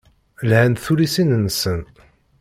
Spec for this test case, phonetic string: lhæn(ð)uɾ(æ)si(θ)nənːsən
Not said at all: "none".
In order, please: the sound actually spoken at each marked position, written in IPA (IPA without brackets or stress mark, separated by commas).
θ, i, none